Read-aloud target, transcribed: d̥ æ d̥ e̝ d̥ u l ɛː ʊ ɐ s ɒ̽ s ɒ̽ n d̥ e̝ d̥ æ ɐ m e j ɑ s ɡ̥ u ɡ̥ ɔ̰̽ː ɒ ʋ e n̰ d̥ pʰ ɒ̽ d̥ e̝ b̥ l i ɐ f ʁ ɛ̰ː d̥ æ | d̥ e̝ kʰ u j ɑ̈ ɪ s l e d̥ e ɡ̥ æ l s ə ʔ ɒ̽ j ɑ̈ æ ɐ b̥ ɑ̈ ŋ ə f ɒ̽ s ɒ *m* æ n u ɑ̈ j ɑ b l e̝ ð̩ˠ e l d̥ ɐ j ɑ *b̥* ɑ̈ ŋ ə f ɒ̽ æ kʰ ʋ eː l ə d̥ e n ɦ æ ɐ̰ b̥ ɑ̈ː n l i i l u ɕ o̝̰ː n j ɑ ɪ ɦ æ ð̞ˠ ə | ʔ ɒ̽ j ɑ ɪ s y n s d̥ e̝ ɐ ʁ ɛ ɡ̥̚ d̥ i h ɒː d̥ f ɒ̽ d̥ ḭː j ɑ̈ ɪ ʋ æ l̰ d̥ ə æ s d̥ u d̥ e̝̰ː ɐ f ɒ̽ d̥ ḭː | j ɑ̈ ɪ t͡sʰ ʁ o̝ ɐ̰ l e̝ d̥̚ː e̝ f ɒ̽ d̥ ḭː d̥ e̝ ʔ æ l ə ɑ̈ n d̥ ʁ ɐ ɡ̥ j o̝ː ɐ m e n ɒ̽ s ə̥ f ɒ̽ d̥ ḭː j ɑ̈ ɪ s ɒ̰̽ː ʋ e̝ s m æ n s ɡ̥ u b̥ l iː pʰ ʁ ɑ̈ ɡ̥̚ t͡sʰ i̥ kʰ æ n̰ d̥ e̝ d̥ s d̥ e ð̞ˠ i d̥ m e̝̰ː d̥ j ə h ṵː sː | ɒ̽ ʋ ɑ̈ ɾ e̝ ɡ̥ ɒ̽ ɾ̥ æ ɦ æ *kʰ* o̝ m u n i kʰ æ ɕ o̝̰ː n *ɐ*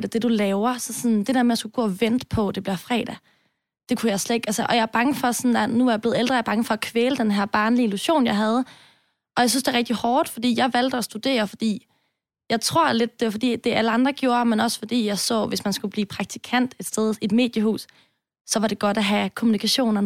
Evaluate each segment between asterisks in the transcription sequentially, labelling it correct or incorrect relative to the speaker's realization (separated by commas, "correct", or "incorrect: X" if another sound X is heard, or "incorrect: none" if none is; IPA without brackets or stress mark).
incorrect: n, correct, correct, correct